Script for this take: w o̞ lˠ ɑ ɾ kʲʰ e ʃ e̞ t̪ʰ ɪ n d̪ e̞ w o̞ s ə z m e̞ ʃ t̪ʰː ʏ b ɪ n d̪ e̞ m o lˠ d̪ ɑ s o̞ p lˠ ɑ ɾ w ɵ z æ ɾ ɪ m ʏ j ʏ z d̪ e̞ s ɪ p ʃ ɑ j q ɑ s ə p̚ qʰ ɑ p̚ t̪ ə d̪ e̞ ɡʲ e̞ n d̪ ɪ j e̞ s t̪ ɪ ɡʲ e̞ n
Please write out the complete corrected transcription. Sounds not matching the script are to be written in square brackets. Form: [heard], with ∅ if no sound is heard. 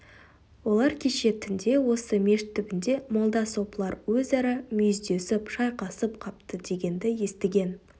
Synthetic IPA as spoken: w o̞ lˠ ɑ ɾ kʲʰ e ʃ e̞ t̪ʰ ɪ n d̪ e̞ w o̞ s ə [∅] m e̞ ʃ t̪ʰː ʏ b ɪ n d̪ e̞ m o lˠ d̪ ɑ s o̞ p lˠ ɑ ɾ w ɵ z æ ɾ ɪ m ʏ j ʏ z d̪ e̞ s ɪ p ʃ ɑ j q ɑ s ə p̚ qʰ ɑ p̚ t̪ ə d̪ e̞ ɡʲ e̞ n d̪ ɪ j e̞ s t̪ ɪ ɡʲ e̞ n

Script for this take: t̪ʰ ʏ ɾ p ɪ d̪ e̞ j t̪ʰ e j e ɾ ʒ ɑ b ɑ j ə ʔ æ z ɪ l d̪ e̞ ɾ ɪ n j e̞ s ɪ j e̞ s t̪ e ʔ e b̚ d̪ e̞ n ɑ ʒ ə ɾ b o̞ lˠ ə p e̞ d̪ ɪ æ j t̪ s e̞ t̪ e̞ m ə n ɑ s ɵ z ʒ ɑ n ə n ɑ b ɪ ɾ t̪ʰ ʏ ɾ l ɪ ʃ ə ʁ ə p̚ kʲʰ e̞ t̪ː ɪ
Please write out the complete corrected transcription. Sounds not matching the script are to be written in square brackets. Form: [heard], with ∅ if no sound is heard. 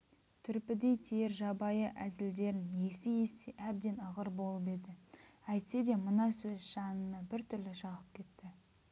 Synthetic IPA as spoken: t̪ʰ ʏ ɾ p ɪ d̪ e̞ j t̪ʰ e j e ɾ ʒ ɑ b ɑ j ə ʔ æ z ɪ l d̪ e̞ ɾ ɪ n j e̞ s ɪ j e̞ s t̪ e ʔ [æ] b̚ d̪ e̞ n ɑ [ʁ] ə ɾ b o̞ lˠ ə p e̞ d̪ ɪ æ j t̪ s e̞ [d̪] e̞ m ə n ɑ s ɵ z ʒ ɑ n ə n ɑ b ɪ ɾ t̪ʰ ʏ ɾ l ɪ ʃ [ɑ] ʁ ə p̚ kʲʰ e̞ t̪ː ɪ

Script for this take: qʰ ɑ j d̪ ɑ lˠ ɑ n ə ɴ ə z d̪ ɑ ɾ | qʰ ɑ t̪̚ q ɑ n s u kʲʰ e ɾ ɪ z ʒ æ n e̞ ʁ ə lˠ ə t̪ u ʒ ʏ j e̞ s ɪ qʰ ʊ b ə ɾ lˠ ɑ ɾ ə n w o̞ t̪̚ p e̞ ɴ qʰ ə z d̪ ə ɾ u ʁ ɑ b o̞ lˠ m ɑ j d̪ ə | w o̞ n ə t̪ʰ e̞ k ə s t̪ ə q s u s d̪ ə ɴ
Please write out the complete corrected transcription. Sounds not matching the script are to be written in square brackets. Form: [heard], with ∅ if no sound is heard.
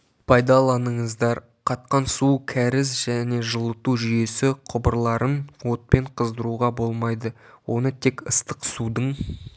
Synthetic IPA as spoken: [pʰ] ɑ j d̪ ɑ lˠ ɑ n ə ɴ ə z d̪ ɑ ɾ | qʰ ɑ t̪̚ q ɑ n s u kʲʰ [æ] ɾ ɪ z ʒ æ n e̞ [ʒ] ə lˠ ə t̪ u ʒ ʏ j e̞ s ɪ qʰ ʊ b ə ɾ lˠ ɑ ɾ ə n w o̞ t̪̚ p e̞ ɴ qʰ ə z d̪ ə ɾ u ʁ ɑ b o̞ lˠ m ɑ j d̪ ə | w o̞ n ə t̪ʰ e̞ k ə s t̪ ə q s u [∅] d̪ ə ɴ

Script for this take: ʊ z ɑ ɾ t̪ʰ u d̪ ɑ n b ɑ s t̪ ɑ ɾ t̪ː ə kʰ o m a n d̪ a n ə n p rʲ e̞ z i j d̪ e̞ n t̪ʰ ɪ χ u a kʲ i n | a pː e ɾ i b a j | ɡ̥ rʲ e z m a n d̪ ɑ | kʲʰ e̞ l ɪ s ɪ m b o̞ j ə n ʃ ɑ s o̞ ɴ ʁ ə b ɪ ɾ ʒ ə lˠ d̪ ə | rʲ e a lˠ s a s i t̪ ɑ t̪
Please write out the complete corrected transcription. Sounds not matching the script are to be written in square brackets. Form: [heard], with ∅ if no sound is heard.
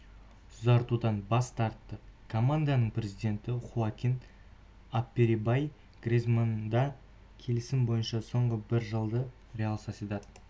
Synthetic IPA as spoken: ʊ z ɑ ɾ [t̪] u d̪ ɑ n b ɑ s t̪ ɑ ɾ t̪ː ə kʰ o m a n d̪ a n ə [ɴ] p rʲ e̞ z i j d̪ e̞ n [t̪] ɪ χ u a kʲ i n | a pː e ɾ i b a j | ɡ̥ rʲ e z m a n d̪ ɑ | kʲʰ e̞ l ɪ s ɪ m b o̞ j ə n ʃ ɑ s o̞ ɴ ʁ ə b ɪ ɾ ʒ ə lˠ d̪ ə | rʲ e a lˠ s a s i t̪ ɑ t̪

